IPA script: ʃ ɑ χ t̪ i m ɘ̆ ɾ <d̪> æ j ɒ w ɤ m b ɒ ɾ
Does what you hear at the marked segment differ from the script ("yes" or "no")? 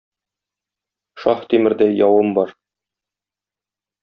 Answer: no